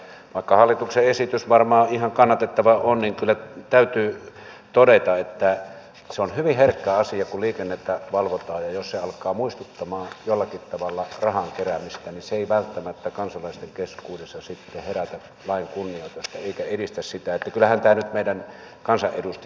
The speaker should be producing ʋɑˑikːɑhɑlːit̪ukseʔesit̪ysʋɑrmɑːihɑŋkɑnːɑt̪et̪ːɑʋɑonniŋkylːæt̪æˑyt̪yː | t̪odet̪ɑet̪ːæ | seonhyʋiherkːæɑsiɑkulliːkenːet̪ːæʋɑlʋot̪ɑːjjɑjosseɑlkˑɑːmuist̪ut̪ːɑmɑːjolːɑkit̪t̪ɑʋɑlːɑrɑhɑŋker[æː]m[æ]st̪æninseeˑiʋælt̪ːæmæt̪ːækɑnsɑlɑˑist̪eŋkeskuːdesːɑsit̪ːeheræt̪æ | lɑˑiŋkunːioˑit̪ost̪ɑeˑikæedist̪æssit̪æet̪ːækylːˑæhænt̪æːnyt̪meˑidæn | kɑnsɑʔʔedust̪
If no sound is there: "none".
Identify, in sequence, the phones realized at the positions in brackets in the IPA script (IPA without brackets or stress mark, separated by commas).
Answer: æ, i